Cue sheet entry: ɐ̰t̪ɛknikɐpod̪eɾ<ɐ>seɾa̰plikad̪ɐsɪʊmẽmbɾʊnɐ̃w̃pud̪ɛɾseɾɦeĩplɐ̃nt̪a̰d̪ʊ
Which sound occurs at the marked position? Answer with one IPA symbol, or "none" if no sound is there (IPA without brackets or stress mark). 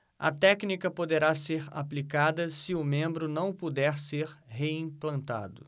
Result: a